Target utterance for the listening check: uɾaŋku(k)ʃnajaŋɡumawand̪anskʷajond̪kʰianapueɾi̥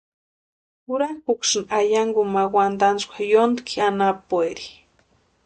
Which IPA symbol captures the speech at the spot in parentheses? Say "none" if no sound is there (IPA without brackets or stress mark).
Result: k